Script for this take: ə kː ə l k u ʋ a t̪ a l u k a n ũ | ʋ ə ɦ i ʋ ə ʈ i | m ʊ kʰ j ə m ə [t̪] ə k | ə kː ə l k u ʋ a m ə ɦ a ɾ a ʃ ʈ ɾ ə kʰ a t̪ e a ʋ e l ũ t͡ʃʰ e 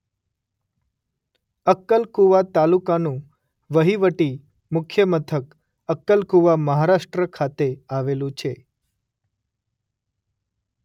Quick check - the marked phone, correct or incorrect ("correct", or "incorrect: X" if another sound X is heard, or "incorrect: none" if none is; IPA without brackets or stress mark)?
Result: incorrect: t̪ʰ